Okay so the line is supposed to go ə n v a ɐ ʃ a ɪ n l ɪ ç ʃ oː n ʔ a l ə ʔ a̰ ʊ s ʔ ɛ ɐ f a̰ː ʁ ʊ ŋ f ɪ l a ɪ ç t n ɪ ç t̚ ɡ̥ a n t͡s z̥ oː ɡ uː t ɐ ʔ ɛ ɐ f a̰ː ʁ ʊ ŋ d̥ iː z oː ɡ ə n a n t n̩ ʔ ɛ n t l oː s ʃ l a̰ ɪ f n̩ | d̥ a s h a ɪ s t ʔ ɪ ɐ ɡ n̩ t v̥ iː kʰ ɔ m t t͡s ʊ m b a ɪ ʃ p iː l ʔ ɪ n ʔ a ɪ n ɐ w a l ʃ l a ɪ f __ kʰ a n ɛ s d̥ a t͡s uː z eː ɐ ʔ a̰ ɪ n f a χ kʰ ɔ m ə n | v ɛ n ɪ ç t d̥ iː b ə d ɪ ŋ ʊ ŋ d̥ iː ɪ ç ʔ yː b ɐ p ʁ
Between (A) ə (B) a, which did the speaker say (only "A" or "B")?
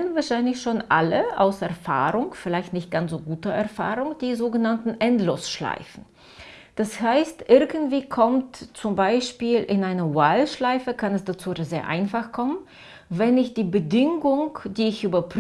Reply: A